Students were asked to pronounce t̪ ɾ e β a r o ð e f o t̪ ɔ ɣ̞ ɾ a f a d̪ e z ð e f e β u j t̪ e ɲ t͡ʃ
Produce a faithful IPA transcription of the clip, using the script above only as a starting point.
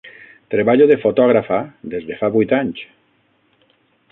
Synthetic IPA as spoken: t̪ ɾ e β a ʎ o ð e f o t̪ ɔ ɣ̞ ɾ a f a d̪ e z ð e f a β u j t̪ a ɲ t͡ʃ